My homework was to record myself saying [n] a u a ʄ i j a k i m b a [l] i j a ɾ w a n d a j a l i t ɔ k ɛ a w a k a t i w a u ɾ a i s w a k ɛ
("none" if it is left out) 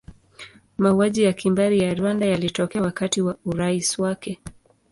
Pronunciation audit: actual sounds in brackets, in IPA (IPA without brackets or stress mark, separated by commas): m, ɾ